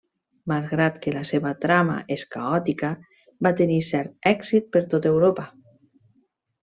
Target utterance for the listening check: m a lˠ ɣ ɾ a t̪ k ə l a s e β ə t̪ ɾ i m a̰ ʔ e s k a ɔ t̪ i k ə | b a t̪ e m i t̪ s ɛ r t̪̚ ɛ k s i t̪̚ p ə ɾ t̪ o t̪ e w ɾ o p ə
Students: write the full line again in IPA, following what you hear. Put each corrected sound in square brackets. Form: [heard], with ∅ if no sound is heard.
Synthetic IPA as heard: m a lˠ ɣ ɾ a t̪ k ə l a s e β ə t̪ ɾ [a] m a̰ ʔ e s k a ɔ t̪ i k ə | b a t̪ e [n] i [∅] s ɛ [ɾ] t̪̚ ɛ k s i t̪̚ p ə ɾ t̪ o t̪ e w ɾ o p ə